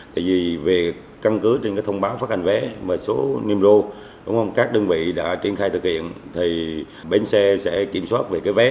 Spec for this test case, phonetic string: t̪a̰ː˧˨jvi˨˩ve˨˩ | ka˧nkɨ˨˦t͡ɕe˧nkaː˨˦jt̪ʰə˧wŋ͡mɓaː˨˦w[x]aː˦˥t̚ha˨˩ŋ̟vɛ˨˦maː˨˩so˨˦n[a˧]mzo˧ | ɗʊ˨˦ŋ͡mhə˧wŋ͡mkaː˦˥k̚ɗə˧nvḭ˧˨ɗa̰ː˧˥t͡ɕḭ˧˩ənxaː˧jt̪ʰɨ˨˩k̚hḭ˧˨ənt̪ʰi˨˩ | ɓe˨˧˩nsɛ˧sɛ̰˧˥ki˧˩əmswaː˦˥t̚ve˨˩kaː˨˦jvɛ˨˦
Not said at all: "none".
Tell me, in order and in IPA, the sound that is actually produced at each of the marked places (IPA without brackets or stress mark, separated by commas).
f, i˧